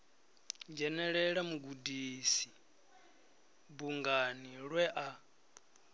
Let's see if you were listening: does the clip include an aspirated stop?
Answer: no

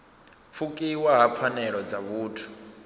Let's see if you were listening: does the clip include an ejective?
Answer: yes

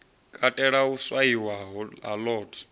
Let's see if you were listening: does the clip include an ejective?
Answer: yes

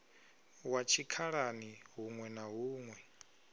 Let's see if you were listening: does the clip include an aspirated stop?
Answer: yes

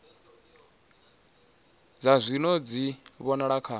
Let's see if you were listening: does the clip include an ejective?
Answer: no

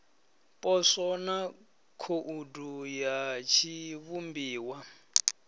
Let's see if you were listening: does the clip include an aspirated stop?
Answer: yes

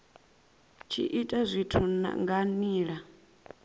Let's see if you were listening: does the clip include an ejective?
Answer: yes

